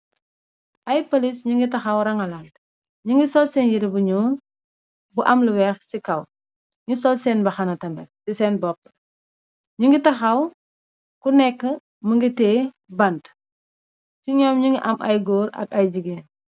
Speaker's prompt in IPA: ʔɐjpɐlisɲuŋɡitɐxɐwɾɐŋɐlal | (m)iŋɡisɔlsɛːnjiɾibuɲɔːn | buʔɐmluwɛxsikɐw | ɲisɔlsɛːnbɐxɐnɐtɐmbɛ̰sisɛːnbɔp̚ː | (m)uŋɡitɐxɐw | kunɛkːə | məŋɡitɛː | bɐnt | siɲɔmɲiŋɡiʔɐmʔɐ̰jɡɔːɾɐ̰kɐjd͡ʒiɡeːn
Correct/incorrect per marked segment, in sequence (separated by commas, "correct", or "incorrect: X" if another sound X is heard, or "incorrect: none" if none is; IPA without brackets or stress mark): incorrect: ɲ, incorrect: ɲ